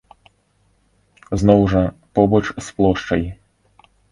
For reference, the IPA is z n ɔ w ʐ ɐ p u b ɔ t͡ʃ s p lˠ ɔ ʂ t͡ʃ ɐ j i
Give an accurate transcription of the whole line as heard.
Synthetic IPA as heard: z n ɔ w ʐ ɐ p ɔ b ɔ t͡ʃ s p lˠ ɔ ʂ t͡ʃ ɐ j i